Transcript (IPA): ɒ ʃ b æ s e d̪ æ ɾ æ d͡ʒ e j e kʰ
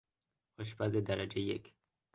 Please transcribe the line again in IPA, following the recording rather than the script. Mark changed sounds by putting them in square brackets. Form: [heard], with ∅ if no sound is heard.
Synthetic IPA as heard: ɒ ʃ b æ [z] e d̪ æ ɾ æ d͡ʒ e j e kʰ